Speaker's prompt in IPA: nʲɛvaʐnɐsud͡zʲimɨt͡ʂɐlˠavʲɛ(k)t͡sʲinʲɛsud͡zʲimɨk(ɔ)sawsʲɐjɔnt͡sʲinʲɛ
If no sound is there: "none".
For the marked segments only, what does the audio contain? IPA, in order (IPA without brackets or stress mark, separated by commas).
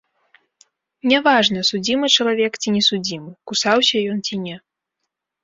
k, u